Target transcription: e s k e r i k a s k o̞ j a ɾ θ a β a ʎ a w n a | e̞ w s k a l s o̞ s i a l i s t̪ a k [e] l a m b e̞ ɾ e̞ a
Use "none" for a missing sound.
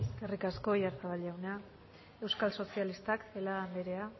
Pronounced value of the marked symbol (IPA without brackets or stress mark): e